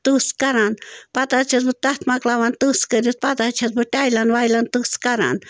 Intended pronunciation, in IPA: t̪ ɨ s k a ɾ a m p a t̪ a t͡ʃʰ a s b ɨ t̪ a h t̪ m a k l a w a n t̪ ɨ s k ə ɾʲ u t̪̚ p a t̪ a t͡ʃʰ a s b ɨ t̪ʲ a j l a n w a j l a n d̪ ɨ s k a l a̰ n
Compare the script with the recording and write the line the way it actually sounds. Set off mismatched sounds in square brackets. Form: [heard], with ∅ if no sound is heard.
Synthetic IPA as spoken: t̪ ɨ s k a ɾ a [n] p a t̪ a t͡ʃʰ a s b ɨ t̪ a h t̪ m a k l a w a n t̪ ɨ s k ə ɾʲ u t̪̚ p a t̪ a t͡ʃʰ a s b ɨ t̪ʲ a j l a n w a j l a n [t̪] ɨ s k a [ɾ] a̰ n